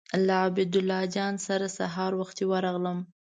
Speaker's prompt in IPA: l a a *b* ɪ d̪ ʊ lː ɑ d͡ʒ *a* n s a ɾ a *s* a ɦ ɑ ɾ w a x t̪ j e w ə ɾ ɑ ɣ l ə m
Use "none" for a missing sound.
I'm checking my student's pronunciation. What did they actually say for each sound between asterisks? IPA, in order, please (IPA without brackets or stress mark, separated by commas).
b, ɑ, s